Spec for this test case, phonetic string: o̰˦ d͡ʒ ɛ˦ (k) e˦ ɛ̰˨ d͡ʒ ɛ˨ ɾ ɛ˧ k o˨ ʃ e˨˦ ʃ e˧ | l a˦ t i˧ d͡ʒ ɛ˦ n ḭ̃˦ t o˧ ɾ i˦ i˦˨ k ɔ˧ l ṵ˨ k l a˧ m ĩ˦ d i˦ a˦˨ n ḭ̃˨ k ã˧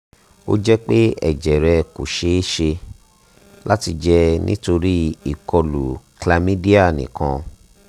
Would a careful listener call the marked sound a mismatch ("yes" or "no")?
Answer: yes